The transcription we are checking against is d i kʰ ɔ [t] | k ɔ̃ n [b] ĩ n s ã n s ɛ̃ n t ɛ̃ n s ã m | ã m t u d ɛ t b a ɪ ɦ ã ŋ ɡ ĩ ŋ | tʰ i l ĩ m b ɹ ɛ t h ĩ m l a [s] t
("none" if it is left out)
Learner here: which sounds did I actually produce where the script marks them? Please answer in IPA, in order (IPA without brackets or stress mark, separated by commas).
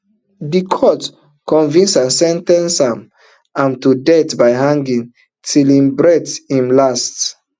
t, v, s